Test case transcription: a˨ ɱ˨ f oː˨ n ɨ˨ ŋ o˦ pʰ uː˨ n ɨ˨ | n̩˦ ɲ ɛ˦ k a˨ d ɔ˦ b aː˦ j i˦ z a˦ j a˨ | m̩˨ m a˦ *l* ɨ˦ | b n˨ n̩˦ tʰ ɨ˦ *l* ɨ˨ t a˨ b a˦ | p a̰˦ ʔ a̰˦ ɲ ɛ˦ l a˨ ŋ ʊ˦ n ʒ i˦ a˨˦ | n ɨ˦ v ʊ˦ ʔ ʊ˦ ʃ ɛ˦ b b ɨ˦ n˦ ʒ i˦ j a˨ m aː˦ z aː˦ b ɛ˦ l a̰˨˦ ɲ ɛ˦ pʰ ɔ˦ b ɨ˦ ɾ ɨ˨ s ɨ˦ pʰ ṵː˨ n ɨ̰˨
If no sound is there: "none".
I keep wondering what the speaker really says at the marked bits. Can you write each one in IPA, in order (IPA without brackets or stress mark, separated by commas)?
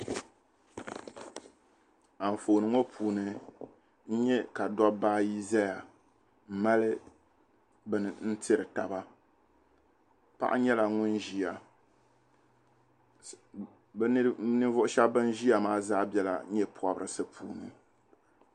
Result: l, ɾ